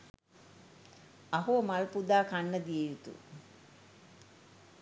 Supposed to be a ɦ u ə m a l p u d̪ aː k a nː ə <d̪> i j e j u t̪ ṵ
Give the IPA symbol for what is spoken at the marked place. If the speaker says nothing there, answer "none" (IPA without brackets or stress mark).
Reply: d̪